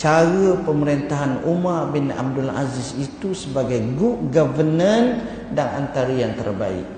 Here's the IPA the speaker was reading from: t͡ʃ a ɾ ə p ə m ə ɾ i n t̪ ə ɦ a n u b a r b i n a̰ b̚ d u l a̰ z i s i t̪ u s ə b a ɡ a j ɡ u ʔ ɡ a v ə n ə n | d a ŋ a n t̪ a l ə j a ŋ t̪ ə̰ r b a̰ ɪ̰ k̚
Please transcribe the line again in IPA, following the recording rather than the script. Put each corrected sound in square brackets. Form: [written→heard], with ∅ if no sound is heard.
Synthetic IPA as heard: t͡ʃ a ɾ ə p ə m ə ɾ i n t̪ [ə→a] ɦ a n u [b→m] a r b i n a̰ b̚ d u l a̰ z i s i t̪ u s ə b a ɡ a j ɡ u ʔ ɡ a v ə n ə n | d a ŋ a n t̪ a [l→ɾ] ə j a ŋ t̪ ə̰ r b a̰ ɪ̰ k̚